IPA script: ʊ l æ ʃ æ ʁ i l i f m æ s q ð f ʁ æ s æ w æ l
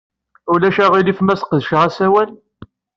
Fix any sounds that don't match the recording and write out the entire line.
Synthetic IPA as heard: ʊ l æ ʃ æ ʁ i l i f m æ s q ð ʃ ʁ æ s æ w æ l